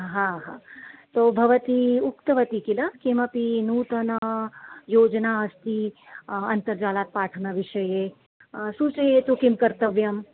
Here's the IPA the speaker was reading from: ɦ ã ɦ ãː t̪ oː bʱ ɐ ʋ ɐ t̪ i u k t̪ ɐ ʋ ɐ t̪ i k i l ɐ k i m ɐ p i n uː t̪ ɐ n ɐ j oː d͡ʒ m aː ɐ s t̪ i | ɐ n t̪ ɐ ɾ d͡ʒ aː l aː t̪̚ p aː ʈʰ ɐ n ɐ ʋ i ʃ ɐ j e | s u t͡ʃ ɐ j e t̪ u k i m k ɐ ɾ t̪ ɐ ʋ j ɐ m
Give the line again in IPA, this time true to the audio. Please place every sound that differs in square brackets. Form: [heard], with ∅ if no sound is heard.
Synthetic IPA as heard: ɦ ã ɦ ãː t̪ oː bʱ ɐ ʋ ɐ t̪ i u k t̪ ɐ ʋ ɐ t̪ i k i l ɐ k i m ɐ p i n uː t̪ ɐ n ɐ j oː d͡ʒ [n] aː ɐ s t̪ i | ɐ n t̪ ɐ ɾ d͡ʒ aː l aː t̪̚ p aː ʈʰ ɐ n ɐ ʋ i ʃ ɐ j e | s u t͡ʃ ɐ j e t̪ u k i m k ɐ ɾ t̪ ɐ ʋ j ɐ m

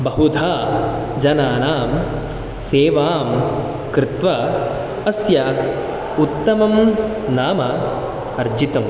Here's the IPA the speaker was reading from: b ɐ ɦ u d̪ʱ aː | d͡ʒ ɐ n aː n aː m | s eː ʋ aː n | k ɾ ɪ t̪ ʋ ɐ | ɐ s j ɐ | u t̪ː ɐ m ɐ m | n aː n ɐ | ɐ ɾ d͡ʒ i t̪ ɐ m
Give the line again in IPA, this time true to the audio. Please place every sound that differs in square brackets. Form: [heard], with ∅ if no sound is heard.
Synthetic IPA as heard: b ɐ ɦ u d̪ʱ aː | d͡ʒ ɐ n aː n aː m | s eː ʋ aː [m] | k ɾ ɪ t̪ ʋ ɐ | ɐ s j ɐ | u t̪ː ɐ m ɐ m | n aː [m] ɐ | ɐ ɾ d͡ʒ i t̪ ɐ m

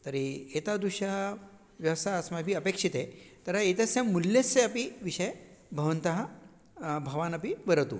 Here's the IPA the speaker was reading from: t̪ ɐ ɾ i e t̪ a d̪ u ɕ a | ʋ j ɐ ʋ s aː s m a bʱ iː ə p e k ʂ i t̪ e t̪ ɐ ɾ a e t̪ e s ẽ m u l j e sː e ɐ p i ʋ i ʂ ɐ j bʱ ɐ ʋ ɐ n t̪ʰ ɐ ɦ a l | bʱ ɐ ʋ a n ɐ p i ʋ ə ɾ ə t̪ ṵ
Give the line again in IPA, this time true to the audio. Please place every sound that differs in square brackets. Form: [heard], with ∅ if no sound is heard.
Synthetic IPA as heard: t̪ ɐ ɾ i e t̪ a d̪ u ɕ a | ʋ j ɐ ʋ s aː s m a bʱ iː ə p e k ʂ i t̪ e t̪ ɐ ɾ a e t̪ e s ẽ m u l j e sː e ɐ p i ʋ i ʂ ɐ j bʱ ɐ ʋ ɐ n [t̪] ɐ ɦ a [∅] | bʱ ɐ ʋ a n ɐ p i ʋ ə ɾ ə t̪ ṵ

